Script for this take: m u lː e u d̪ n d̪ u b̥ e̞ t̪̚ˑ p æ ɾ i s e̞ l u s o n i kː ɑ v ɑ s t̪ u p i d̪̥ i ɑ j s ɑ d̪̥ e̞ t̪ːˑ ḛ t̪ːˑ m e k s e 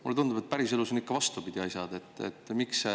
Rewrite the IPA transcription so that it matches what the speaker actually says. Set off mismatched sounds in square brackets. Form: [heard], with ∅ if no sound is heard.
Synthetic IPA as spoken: m u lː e u [∅] n d̪ u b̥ e̞ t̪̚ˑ p æ ɾ i s e̞ l u s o n i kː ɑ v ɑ s t̪ u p i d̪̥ i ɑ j s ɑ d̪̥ e̞ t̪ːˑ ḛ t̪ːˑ m [i] k s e